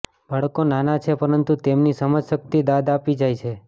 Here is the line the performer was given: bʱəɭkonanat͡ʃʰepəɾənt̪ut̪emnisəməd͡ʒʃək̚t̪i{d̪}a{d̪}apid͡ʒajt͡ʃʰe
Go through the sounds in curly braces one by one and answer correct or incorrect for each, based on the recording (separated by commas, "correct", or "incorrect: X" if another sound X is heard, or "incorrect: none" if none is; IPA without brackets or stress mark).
correct, correct